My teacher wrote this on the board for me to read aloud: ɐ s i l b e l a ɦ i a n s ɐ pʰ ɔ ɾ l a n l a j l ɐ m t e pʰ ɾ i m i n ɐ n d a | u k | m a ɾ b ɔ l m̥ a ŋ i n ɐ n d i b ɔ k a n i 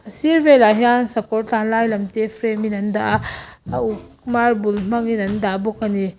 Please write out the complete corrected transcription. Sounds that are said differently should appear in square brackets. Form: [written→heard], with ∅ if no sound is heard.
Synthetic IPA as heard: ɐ s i [l→ɾ] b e l a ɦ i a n s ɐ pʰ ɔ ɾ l a n l a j l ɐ m t e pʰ ɾ [i→e] m i n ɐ n d a | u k | m a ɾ b [ɔ→u] l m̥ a ŋ i n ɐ n d [i→a] b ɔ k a n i